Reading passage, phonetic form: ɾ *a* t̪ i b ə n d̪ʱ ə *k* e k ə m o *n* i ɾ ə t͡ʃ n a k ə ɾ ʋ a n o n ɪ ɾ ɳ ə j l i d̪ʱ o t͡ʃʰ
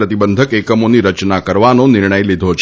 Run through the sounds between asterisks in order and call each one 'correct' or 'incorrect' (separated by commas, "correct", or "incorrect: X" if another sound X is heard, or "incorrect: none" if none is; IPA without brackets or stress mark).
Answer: incorrect: ə, correct, correct